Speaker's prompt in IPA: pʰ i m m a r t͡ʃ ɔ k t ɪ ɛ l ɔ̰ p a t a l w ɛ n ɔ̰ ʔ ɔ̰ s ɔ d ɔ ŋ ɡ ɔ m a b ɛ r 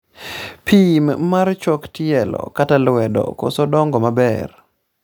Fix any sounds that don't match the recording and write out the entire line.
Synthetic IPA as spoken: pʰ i m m a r t͡ʃ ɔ k t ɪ ɛ l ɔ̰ k a t a l w ɛ d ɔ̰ k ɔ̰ s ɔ d ɔ ŋ ɡ ɔ m a b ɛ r